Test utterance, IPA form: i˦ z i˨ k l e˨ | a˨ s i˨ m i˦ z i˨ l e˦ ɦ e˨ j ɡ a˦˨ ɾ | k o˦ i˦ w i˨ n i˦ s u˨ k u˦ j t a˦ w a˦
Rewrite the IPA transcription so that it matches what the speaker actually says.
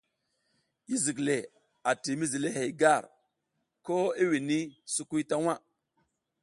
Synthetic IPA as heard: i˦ z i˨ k l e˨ | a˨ t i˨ m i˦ z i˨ l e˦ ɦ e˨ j ɡ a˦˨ ɾ | k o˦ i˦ w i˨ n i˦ s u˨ k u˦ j t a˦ w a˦